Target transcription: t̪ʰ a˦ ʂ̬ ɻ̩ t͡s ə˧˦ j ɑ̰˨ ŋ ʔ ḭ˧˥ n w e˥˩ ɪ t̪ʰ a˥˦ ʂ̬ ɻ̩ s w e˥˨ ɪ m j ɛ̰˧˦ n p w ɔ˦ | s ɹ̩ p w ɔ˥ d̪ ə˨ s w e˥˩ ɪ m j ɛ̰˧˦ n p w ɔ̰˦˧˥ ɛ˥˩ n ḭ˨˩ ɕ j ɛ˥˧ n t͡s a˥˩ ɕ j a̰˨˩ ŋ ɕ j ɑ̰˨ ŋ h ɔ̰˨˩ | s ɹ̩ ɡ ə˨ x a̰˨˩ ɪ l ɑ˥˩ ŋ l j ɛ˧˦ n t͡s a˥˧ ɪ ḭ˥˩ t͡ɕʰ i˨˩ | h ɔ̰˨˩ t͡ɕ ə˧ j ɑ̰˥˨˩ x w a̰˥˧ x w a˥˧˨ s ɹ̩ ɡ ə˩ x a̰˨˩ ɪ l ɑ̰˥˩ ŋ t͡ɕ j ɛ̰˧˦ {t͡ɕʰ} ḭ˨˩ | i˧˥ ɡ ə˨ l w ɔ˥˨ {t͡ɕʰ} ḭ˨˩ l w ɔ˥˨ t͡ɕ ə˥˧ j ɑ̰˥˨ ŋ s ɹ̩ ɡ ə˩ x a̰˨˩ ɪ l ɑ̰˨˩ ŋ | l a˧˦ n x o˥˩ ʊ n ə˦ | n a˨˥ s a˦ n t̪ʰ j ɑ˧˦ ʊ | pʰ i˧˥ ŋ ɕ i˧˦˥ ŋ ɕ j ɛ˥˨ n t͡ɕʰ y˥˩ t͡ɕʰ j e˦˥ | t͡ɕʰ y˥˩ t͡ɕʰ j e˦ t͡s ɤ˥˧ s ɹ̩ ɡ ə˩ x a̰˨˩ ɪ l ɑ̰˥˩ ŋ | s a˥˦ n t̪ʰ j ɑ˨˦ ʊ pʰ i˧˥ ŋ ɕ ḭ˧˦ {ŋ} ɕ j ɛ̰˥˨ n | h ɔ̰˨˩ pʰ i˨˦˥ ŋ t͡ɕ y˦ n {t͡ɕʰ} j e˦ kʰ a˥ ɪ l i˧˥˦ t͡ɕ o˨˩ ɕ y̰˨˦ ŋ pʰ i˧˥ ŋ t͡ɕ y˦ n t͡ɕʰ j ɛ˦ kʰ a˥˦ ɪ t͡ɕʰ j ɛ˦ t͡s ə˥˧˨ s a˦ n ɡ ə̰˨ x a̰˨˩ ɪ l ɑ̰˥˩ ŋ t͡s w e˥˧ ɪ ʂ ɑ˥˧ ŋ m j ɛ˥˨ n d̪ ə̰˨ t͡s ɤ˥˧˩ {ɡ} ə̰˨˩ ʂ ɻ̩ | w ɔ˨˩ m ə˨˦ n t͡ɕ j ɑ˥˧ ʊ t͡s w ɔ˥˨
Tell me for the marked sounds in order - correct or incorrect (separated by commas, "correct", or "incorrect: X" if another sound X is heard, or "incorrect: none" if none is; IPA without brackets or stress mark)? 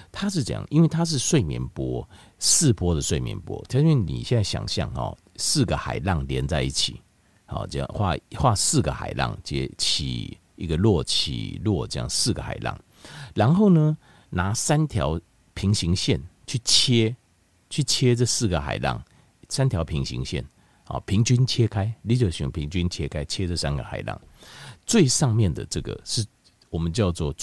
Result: correct, correct, correct, correct, correct